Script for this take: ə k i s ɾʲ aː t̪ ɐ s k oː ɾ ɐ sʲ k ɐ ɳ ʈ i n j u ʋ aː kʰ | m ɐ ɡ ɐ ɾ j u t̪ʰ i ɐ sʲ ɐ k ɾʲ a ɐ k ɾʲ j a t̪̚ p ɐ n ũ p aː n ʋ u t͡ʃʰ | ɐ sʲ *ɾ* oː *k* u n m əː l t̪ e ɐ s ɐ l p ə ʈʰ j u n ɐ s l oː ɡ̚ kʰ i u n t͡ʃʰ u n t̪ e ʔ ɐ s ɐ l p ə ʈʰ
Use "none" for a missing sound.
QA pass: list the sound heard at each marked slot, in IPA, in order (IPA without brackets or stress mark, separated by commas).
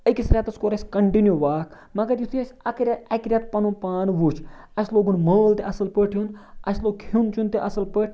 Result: l, ɡ